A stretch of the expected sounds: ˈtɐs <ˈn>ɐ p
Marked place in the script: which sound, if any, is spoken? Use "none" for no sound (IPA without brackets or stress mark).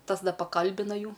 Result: d